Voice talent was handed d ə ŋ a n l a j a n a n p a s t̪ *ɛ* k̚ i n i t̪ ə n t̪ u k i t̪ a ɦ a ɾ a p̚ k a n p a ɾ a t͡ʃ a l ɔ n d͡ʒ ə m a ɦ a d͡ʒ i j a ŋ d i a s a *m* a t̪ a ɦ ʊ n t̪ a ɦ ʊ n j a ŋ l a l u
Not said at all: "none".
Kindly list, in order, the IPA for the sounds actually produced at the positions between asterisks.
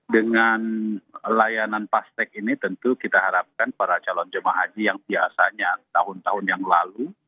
ɛ, ɲ

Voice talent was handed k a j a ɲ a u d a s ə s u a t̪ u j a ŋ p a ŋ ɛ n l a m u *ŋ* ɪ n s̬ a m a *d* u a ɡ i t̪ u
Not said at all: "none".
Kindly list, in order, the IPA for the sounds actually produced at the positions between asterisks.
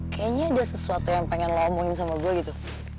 ŋ, ɡ

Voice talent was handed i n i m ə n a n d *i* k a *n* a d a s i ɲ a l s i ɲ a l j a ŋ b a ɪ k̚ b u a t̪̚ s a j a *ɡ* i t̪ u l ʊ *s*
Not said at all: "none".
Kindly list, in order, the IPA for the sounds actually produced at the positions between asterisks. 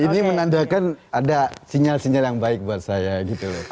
a, n, ɡ, none

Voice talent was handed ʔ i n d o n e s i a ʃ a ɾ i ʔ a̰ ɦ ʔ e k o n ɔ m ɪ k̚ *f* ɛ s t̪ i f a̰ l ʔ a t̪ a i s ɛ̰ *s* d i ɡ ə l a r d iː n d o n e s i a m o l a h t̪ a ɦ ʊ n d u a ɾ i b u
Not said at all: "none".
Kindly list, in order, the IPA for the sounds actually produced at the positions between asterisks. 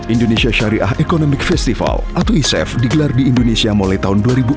f, f

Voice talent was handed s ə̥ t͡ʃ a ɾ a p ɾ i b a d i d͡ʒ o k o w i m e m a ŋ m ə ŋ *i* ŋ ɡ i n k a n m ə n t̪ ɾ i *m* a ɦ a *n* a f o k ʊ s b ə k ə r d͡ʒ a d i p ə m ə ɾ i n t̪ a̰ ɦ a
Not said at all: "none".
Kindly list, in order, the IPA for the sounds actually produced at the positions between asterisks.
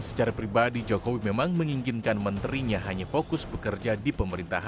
i, ɲ, ɲ

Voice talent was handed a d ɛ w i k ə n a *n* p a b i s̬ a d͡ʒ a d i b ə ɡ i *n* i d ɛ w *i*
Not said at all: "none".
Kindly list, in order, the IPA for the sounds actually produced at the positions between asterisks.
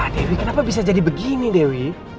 none, n, i

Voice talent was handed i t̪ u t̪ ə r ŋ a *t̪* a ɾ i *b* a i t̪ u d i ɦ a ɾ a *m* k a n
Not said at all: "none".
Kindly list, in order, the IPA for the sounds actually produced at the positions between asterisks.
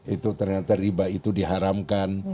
t̪, b, m

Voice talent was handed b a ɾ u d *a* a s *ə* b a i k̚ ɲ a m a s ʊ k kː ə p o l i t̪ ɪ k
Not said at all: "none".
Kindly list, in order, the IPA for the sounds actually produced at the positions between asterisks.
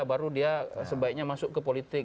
i, ə

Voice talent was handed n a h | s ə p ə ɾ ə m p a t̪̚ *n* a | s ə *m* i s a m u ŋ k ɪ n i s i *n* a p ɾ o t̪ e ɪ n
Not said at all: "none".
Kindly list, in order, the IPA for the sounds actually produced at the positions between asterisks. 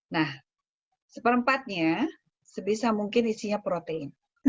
ɲ, b, ɲ

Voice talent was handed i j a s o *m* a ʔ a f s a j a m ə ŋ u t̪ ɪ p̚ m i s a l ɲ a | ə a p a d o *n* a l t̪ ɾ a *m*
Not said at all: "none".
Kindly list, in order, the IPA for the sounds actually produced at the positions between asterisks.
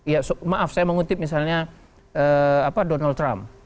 m, n, m

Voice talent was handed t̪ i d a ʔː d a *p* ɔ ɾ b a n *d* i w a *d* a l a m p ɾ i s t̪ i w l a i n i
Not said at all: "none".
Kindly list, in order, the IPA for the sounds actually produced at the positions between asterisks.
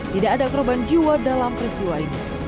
k, d͡ʒ, d

